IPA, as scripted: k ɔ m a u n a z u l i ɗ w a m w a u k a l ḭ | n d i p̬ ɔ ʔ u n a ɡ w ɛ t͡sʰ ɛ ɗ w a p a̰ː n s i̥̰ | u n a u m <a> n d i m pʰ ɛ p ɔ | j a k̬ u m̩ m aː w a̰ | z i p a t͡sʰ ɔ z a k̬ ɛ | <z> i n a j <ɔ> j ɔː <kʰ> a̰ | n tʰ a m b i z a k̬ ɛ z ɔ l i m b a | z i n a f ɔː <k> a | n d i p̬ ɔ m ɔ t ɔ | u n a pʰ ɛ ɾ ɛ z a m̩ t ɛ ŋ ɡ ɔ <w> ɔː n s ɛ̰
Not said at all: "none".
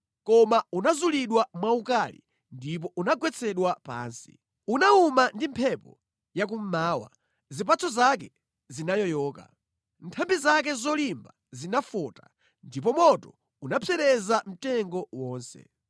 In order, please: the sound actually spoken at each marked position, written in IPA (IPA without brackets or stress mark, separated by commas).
a, z, ɔ, k, t, w